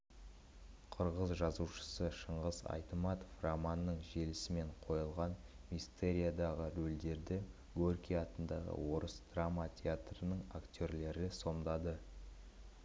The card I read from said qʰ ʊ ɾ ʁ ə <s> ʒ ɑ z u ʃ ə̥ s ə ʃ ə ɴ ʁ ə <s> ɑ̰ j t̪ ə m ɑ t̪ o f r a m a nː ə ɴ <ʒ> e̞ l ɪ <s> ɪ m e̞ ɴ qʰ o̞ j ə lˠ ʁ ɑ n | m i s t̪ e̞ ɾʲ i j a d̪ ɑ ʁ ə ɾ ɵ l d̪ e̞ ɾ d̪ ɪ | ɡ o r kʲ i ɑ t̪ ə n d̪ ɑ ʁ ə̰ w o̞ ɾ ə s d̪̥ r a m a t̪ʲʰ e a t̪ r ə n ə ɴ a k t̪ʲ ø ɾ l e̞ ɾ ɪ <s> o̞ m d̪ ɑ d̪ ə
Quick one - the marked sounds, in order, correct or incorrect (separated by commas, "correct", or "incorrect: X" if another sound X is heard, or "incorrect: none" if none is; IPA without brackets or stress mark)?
incorrect: z, incorrect: z, correct, correct, correct